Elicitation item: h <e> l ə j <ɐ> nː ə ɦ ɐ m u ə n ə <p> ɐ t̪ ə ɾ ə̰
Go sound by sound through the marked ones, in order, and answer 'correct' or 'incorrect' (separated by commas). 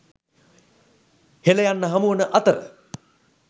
correct, incorrect, incorrect